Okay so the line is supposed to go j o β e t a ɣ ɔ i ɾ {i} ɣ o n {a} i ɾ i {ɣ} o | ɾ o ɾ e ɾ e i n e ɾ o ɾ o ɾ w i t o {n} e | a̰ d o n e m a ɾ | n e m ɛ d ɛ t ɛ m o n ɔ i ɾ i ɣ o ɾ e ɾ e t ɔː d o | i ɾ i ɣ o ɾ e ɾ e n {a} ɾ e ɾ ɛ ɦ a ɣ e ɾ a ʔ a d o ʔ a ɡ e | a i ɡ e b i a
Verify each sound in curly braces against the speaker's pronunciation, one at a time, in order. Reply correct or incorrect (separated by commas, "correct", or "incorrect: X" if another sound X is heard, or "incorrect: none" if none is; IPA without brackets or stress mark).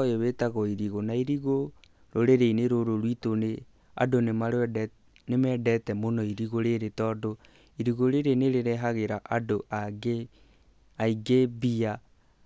correct, correct, correct, correct, incorrect: e